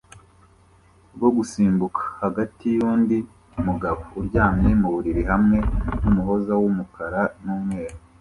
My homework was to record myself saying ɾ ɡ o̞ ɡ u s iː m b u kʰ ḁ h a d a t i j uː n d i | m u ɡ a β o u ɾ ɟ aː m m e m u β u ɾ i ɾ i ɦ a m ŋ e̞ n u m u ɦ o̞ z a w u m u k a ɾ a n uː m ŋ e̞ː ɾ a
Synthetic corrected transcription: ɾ ɡ o̞ ɡ u s iː m b u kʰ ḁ h a ɡ a t i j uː n d i | m u ɡ a β o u ɾ ɟ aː m ɲ e m u β u ɾ i ɾ i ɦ a m ŋ e̞ n u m u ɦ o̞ z a w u m u k a ɾ a n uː m ŋ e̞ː ɾ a